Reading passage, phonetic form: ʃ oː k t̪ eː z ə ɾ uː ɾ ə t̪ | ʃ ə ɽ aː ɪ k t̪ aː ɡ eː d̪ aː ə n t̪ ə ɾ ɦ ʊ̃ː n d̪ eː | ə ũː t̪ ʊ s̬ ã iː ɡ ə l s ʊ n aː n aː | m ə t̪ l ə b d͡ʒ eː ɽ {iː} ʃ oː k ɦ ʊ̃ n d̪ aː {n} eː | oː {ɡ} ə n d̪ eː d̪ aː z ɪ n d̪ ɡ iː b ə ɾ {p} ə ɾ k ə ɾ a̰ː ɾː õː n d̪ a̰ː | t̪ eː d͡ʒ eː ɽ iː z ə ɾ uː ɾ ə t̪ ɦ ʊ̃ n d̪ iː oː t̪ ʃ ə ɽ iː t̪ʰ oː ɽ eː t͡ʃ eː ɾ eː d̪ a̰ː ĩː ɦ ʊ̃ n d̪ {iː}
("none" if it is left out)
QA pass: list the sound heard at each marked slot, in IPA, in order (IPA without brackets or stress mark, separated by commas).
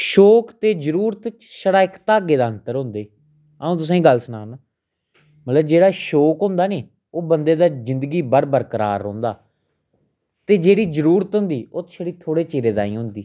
aː, n, b, b, iː